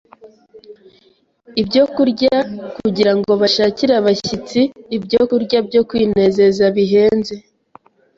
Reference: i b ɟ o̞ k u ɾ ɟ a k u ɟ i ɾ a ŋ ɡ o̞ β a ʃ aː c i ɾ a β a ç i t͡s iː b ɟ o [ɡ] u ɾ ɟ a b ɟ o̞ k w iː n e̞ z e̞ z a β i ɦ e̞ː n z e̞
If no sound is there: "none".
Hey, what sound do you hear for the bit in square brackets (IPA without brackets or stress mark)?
k